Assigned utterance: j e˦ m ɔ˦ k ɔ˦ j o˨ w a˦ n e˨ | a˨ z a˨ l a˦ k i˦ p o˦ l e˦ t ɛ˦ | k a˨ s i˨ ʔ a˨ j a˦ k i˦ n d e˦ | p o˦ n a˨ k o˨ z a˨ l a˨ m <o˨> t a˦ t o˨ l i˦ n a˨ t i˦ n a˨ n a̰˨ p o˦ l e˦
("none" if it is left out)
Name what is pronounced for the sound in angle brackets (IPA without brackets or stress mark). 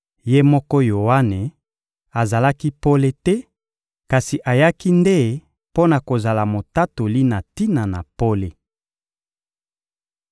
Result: o˨